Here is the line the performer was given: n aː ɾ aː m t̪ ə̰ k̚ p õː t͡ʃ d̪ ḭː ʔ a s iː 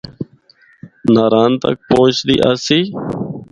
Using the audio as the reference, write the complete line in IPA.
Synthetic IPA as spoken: n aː ɾ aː n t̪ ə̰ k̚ p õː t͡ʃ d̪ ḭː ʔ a s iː